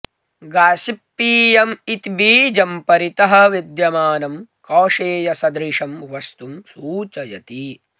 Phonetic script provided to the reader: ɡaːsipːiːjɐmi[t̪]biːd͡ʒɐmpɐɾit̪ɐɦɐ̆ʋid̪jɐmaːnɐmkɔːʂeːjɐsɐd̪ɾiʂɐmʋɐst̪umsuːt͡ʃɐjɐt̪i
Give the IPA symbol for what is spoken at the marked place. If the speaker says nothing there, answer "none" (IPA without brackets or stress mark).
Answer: t̪